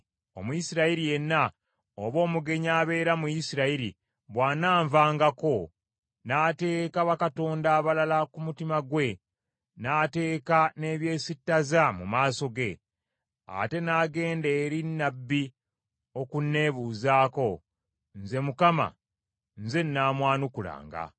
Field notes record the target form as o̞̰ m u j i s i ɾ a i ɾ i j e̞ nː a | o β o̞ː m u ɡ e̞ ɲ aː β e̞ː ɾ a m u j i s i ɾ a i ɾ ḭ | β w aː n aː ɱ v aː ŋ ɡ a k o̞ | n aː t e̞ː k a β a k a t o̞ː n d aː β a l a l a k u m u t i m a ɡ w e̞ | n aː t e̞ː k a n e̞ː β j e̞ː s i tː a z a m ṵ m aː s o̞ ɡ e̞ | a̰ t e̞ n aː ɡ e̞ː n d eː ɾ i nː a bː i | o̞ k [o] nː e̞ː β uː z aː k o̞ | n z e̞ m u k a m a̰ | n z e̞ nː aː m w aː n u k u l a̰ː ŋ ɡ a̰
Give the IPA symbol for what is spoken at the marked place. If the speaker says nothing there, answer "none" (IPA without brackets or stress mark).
u